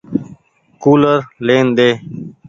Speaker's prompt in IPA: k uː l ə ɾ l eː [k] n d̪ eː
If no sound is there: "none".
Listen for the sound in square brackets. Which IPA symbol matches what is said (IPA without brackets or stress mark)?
none